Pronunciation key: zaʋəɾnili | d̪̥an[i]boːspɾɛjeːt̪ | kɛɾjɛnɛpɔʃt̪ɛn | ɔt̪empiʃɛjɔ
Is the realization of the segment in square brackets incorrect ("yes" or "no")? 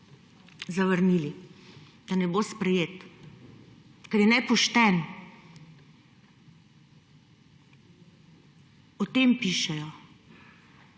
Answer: yes